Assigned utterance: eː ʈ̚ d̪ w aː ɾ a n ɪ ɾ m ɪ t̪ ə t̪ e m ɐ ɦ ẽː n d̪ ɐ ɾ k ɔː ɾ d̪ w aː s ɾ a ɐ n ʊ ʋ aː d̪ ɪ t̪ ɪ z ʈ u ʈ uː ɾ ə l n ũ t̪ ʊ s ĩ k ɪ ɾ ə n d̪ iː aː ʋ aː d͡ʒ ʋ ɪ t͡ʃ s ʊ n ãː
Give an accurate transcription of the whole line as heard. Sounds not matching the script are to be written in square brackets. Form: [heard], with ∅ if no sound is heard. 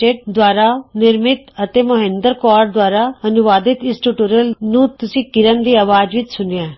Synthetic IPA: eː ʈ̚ d̪ w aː ɾ a n ɪ ɾ m ɪ t̪ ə t̪ e m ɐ ɦ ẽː n d̪ [ə] ɾ k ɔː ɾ d̪ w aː [∅] ɾ a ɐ n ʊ ʋ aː d̪ ɪ t̪ ɪ [s] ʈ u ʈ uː ɾ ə l n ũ t̪ ʊ s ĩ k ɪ ɾ ə n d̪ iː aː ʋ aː d͡ʒ ʋ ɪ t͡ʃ s ʊ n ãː